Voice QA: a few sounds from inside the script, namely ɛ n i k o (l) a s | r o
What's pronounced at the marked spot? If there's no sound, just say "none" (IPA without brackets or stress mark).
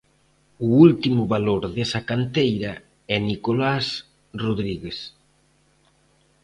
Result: l